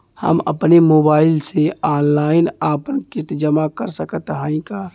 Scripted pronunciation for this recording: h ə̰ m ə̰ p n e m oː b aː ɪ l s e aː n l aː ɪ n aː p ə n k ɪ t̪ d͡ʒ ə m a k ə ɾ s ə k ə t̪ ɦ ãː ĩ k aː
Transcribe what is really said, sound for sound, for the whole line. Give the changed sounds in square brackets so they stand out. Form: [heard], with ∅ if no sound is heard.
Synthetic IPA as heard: h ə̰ m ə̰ p n e m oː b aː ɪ l s e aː n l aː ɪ n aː p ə n k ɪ t̪ d͡ʒ ə m a k ə ɾ s ə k ə t̪ ɦ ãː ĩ k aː